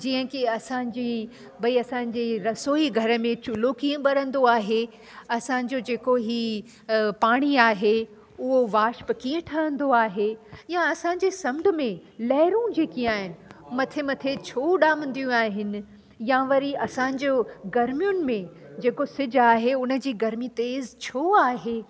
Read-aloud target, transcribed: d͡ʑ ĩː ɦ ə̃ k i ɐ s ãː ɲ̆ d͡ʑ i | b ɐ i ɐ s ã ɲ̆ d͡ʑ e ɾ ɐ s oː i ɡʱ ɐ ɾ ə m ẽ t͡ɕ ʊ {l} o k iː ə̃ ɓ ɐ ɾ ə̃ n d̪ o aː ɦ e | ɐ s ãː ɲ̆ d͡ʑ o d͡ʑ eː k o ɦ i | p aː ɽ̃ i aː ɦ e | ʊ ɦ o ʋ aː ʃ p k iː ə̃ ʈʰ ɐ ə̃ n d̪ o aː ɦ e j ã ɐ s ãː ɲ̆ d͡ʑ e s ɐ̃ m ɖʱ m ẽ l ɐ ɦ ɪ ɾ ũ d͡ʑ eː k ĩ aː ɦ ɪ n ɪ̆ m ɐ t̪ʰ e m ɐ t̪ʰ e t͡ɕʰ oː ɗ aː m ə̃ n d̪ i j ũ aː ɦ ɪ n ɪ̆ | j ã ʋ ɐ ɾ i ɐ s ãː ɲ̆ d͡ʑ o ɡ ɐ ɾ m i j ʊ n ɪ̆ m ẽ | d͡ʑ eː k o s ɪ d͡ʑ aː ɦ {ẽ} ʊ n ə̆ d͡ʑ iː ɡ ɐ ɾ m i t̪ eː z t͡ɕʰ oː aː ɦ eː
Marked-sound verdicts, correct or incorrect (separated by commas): correct, incorrect